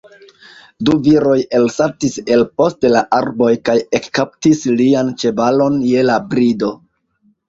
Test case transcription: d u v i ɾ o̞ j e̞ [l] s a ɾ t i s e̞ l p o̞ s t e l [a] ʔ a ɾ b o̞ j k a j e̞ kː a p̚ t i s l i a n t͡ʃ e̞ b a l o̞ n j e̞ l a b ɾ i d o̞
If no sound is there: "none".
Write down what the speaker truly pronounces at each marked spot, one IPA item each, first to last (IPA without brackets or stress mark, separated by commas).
l, a